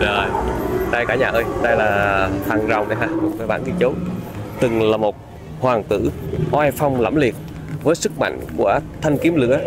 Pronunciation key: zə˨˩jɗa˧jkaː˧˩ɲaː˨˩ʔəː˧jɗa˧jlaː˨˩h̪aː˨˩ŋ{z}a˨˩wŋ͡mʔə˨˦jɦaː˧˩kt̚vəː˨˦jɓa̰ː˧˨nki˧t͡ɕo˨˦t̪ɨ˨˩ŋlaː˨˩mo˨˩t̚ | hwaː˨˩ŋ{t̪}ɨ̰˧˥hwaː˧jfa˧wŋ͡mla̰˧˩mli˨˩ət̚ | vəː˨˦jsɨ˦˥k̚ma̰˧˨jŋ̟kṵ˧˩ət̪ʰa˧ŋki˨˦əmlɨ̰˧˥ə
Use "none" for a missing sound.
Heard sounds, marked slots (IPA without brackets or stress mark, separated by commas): z, t̪